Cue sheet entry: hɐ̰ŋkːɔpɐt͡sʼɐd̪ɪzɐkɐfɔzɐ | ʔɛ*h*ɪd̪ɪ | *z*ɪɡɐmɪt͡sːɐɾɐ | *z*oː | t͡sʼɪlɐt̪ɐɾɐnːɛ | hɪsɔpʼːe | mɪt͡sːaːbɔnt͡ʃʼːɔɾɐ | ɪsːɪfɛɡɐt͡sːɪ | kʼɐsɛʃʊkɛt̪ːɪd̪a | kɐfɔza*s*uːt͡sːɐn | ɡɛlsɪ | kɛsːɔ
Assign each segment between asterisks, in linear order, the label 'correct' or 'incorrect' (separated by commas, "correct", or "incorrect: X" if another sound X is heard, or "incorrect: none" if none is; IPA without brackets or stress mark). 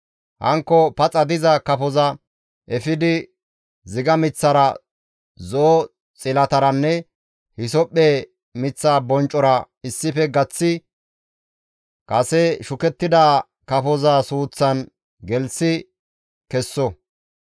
incorrect: f, correct, correct, correct